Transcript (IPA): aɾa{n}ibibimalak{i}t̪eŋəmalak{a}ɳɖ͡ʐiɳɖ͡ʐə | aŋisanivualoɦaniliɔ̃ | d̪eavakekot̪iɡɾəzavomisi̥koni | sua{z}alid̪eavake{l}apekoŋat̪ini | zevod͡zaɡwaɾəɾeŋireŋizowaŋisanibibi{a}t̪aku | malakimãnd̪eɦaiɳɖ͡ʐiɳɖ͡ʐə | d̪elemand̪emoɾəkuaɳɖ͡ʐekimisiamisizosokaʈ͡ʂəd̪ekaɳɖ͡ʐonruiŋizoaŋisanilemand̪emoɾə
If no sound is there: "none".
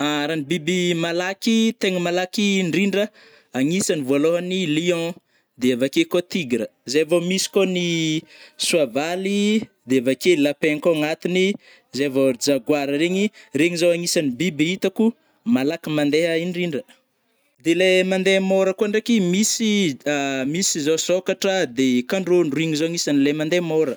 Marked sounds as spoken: n, i, i, v, l, i

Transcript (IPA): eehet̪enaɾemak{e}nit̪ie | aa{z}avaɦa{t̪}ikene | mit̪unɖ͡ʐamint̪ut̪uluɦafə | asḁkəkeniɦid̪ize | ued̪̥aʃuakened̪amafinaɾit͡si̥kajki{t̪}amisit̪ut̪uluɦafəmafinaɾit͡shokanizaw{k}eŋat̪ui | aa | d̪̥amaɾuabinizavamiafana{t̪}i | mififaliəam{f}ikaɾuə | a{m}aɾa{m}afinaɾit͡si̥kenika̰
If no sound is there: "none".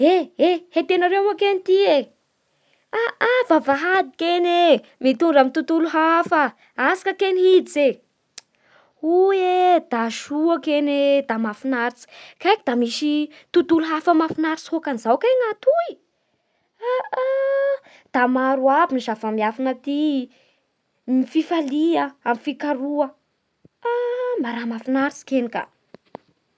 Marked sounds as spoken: e, v, d̪, d̪, k, t̪, f, m, m

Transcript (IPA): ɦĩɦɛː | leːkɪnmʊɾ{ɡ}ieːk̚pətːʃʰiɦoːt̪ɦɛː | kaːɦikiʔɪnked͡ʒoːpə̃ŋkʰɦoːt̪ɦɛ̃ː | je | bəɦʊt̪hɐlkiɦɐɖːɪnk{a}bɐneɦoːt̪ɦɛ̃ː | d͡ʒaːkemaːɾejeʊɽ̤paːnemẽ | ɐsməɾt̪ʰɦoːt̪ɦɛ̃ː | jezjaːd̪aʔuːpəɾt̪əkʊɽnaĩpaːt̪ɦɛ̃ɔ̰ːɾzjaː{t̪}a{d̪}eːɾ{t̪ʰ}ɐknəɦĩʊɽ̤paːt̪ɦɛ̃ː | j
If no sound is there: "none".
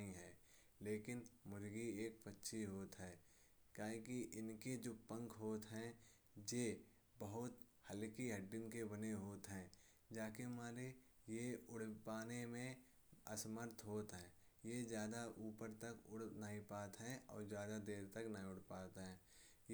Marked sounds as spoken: ɡ, e, d̪, d̪, t̪

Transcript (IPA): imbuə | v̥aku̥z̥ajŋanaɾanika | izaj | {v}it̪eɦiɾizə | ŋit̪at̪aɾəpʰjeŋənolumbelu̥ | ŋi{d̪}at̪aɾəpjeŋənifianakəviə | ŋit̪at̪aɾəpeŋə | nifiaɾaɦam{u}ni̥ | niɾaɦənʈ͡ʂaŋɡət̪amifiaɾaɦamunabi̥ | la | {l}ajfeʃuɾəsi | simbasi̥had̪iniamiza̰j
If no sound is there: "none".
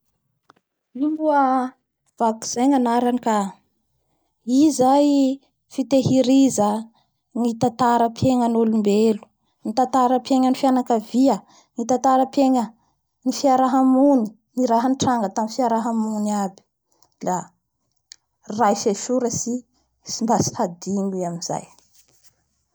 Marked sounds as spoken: f, t̪, u, r

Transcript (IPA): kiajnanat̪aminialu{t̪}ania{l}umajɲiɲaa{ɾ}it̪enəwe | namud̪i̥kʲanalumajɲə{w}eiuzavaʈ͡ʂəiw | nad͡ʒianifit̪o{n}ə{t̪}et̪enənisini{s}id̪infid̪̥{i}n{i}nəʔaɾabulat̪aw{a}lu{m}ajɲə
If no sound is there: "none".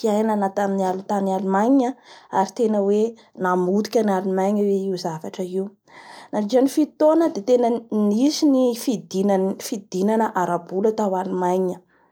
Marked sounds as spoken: t̪, l, ɾ, w, n, d̪, f, i, a, a, m

